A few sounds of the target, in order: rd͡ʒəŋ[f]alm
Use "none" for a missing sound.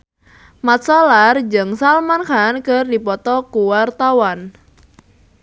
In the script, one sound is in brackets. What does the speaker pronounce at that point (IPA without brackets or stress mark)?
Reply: s